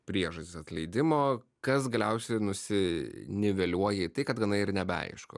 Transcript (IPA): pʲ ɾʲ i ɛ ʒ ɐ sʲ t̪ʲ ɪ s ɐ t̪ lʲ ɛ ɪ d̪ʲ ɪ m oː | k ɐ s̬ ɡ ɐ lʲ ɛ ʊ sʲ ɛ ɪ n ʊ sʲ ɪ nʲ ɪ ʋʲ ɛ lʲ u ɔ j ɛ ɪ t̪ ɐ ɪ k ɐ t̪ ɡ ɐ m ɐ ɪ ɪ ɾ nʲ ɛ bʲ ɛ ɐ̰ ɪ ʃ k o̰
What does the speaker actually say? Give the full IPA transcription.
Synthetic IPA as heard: pʲ ɾʲ i ɛ ʒ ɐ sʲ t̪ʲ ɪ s ɐ t̪ lʲ ɛ ɪ d̪ʲ ɪ m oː | k ɐ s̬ ɡ ɐ lʲ ɛ ʊ sʲ ɛ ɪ n ʊ sʲ ɪ nʲ ɪ ʋʲ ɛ lʲ u ɔ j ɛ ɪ t̪ ɐ ɪ k ɐ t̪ ɡ ɐ n ɐ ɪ ɪ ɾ nʲ ɛ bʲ ɛ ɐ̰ ɪ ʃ k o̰